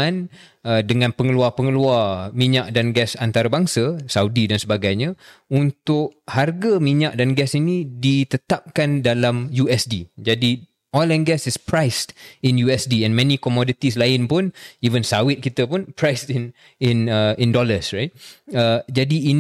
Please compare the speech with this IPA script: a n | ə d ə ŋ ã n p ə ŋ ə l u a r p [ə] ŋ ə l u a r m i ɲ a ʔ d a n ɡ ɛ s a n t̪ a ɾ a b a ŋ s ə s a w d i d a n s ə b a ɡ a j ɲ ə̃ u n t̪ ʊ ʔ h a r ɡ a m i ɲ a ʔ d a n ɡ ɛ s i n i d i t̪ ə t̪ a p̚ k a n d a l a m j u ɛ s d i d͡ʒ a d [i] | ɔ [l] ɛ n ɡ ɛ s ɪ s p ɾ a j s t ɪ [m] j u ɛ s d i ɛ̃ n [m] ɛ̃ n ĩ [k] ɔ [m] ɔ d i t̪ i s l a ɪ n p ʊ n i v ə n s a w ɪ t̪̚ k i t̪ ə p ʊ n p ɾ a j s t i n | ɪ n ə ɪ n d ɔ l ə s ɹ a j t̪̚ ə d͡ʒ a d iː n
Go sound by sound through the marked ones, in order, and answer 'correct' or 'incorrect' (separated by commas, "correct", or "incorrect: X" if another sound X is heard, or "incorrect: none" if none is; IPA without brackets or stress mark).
correct, correct, correct, incorrect: n, correct, correct, correct